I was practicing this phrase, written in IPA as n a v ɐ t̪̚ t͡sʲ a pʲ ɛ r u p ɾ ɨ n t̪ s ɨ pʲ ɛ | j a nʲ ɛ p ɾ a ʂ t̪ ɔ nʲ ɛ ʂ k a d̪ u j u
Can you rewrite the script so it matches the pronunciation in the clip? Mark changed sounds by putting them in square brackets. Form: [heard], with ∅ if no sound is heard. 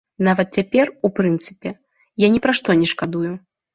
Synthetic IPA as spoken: n a v ɐ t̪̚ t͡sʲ a pʲ ɛ r u p ɾ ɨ n t̪ s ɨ pʲ ɛ | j a nʲ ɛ p ɾ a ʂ t̪ ɔ nʲ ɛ ʂ k a d̪ u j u

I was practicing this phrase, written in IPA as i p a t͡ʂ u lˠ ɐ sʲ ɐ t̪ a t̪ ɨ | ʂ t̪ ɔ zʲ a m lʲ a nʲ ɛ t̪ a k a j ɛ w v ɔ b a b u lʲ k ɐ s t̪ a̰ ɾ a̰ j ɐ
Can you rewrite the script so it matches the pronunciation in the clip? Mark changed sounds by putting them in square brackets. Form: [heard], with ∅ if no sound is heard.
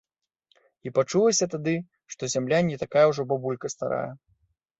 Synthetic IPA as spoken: i p a t͡ʂ u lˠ ɐ sʲ ɐ t̪ a [d̪] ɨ | ʂ t̪ ɔ zʲ a m lʲ a nʲ ɛ t̪ a k a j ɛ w [ʐ] ɔ b a b u lʲ k ɐ s t̪ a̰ ɾ a̰ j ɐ

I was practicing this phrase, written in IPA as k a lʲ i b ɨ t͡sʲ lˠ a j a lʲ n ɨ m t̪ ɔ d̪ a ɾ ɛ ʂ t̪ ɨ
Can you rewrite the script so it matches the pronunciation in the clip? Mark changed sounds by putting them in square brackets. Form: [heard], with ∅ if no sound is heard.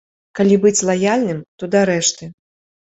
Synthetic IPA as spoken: k a lʲ i b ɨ t͡sʲ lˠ a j a lʲ n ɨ m t̪ ɔ d̪ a ɾ ɛ ʂ t̪ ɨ

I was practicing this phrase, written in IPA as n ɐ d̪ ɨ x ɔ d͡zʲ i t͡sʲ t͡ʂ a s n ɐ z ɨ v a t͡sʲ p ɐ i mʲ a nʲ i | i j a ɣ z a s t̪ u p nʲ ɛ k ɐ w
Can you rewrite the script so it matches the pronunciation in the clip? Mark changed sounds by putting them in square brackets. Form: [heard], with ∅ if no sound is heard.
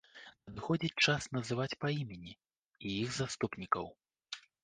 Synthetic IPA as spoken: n ɐ d̪ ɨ x ɔ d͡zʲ i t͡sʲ t͡ʂ a s n ɐ z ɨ v a t͡sʲ p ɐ i mʲ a nʲ i | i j [i] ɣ z a s t̪ u p nʲ [i] k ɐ w

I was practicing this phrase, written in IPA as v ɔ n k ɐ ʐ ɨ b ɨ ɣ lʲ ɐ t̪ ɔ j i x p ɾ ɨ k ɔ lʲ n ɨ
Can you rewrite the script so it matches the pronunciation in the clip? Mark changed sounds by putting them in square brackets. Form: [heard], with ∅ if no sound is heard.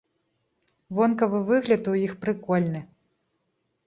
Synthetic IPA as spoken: v ɔ n k ɐ [v] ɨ [v] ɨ ɣ lʲ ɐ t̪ [u] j i x p ɾ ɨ k ɔ lʲ n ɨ

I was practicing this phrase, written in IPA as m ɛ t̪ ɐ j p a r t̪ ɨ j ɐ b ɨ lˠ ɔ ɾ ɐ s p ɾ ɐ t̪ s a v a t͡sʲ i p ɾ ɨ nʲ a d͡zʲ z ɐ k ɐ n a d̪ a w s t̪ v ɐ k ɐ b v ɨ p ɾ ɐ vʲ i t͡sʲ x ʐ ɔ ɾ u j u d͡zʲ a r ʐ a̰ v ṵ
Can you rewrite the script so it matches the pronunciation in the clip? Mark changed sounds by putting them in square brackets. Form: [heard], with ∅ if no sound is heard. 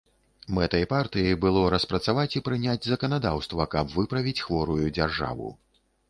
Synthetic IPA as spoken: m ɛ t̪ ɐ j p a r t̪ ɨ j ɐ b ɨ lˠ ɔ ɾ ɐ s p ɾ ɐ t̪ s a v a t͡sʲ i p ɾ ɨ nʲ a d͡zʲ z ɐ k ɐ n a d̪ a w s t̪ v ɐ k ɐ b v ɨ p ɾ ɐ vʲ i t͡sʲ x [v] ɔ ɾ u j u d͡zʲ a r ʐ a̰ v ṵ

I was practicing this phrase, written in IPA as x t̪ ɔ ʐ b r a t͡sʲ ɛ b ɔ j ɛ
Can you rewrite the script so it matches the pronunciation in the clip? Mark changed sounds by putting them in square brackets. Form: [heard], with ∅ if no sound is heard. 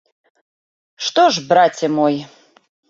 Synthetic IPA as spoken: [ʂ] t̪ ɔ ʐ b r a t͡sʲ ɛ [m] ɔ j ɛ

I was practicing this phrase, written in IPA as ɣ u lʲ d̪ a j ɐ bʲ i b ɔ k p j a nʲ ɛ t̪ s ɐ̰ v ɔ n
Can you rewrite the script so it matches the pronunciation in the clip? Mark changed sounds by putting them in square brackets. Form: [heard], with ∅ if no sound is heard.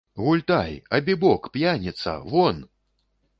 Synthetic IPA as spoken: ɣ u lʲ [t̪] a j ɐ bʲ i b ɔ k p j a nʲ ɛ t̪ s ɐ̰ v ɔ n

